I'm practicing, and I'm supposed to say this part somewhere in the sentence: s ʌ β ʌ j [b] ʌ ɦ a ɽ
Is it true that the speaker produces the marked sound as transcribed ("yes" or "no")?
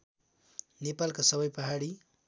no